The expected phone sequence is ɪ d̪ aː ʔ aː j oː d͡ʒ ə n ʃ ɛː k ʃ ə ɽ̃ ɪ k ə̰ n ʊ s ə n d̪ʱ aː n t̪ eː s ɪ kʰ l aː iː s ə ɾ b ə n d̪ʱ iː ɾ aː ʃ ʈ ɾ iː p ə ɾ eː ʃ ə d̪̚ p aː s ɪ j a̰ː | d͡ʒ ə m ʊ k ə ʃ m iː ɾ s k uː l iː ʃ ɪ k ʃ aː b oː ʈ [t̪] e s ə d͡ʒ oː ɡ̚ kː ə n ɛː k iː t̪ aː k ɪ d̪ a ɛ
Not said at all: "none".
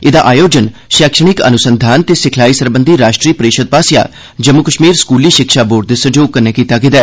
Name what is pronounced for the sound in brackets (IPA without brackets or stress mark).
d̪